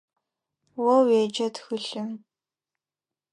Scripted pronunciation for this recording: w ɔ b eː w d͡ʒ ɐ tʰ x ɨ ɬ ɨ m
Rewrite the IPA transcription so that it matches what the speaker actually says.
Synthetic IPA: w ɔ w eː d͡ʒ ɐ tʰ x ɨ ɬ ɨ m